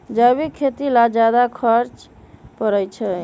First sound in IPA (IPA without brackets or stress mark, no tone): d͡ʒ